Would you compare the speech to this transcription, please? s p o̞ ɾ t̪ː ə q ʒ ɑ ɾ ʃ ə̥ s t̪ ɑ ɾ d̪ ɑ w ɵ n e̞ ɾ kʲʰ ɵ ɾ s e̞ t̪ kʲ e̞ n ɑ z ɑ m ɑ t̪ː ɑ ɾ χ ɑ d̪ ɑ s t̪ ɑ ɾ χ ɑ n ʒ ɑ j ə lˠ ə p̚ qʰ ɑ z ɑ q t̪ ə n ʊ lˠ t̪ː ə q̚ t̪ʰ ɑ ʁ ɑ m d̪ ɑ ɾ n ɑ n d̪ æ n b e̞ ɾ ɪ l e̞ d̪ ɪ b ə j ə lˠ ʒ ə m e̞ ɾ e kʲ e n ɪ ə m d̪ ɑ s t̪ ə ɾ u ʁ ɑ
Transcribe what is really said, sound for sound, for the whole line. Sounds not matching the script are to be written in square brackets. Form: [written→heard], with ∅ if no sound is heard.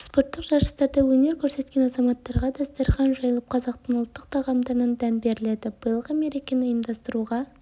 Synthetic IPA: s p o̞ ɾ t̪ː ə q ʒ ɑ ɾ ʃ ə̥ s t̪ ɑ ɾ d̪ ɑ w ɵ n e̞ ɾ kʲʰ ɵ ɾ s e̞ t̪ kʲ e̞ n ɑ z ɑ m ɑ t̪ː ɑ ɾ [χ→ʁ] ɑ d̪ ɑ s t̪ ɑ ɾ χ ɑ n ʒ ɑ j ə lˠ ə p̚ qʰ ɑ z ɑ q t̪ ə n ʊ lˠ t̪ː ə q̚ t̪ʰ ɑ ʁ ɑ m d̪ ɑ ɾ n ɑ n d̪ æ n b e̞ ɾ ɪ l e̞ d̪ ɪ b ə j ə lˠ [ʒ→ʁ] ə m e̞ ɾ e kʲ e n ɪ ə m d̪ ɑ s t̪ ə ɾ u ʁ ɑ